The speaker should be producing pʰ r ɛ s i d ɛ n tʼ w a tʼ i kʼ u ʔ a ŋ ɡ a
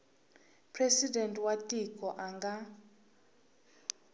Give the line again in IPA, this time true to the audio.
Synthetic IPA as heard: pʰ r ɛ s i d ɛ n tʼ w a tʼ i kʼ ɔ ʔ a ŋ ɡ a